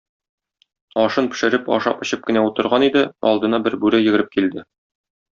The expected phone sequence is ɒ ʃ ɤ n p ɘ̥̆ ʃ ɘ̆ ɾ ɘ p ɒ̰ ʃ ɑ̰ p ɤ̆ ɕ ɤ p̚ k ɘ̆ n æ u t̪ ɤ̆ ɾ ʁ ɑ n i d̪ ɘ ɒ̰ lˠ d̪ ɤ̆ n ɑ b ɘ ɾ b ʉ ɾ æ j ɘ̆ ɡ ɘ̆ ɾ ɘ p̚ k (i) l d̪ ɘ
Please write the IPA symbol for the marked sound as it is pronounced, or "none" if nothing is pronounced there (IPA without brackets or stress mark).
i